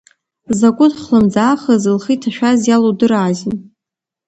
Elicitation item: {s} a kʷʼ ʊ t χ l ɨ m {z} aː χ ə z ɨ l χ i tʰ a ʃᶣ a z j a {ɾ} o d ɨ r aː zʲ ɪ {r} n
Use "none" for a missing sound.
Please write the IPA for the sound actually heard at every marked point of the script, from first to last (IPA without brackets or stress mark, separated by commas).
z, d͡z, l, none